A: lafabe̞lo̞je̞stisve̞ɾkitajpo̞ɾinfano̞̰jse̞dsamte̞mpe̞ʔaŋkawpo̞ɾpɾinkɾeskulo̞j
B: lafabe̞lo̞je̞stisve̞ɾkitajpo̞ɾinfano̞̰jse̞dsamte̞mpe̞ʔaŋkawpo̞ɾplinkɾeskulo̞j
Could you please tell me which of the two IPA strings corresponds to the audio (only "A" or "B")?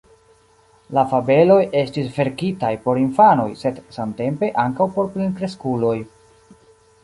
B